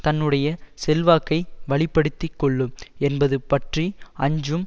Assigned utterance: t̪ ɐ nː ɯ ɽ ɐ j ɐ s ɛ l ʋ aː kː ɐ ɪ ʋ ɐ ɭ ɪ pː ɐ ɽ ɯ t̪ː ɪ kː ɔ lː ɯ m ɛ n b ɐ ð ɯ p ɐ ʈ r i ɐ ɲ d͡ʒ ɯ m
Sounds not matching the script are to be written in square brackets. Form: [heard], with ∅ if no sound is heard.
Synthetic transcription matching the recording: t̪ ɐ nː ɯ ɽ ɐ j ɐ s ɛ l ʋ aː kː ɐ ɪ ʋ ɐ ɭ ɪ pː ɐ ɽ ɯ t̪ː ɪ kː ɔ [ɭː] ɯ m ɛ n b ɐ ð ɯ p ɐ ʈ r i ɐ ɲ d͡ʒ ɯ m